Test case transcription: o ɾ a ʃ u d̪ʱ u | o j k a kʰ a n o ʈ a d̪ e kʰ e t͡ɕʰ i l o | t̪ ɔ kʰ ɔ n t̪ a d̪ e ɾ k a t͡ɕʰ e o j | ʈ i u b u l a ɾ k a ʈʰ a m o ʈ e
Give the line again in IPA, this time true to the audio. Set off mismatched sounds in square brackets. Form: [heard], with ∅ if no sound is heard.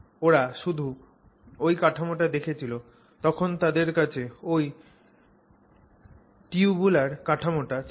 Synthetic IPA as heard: o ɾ a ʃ u d̪ʱ u | o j k a [ʈʰ] a [m] o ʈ a d̪ e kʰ e t͡ɕʰ i l o | t̪ ɔ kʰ [o] n t̪ a d̪ e ɾ k a t͡ɕʰ e o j | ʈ i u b u l a ɾ k a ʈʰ a m o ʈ [a]